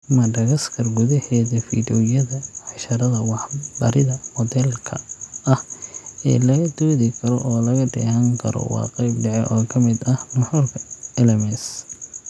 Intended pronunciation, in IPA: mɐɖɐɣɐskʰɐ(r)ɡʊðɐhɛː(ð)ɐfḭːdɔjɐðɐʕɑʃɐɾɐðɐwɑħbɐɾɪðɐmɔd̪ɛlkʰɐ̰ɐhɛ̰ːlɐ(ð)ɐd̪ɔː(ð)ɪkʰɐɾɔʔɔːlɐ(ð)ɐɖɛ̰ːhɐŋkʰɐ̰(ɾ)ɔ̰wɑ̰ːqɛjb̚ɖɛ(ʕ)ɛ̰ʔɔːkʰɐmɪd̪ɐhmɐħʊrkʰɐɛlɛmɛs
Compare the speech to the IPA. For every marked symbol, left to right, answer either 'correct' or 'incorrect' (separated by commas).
correct, correct, incorrect, correct, incorrect, correct, correct